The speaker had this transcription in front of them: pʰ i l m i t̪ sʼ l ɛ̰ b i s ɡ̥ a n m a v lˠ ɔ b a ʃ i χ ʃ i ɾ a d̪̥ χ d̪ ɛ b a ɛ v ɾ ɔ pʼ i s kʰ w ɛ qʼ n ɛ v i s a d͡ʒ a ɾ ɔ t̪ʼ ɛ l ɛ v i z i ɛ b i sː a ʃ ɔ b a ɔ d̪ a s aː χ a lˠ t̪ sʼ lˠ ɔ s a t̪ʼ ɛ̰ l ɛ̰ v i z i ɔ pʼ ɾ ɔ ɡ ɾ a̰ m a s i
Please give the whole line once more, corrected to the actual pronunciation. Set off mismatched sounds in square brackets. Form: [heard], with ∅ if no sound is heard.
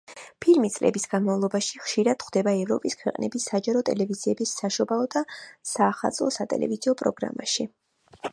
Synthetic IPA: pʰ i l m i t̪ sʼ l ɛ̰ b i s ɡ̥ a n m a v lˠ ɔ b a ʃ i χ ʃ i ɾ a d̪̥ χ d̪ ɛ b a ɛ v ɾ ɔ pʼ i s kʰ w ɛ qʼ n ɛ [b] i s a d͡ʒ a ɾ ɔ t̪ʼ ɛ l ɛ v i z i ɛ b i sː a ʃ ɔ b a ɔ d̪ a s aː χ a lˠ t̪ sʼ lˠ ɔ s a t̪ʼ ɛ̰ l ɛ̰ v i z i ɔ pʼ ɾ ɔ ɡ ɾ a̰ m a [ʃ] i